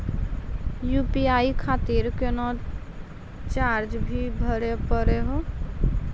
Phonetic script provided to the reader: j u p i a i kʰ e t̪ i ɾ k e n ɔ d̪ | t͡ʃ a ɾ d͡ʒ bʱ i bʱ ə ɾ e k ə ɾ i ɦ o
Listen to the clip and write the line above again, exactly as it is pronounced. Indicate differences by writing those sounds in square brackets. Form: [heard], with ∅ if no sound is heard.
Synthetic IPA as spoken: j u p i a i kʰ [a] t̪ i ɾ k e n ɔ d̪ | t͡ʃ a ɾ d͡ʒ bʱ i bʱ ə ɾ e [p] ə ɾ [e] ɦ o